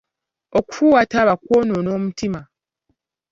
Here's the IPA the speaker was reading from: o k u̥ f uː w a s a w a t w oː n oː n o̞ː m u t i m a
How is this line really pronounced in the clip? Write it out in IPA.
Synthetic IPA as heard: o k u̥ f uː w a t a β a k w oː n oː n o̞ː m u t i m a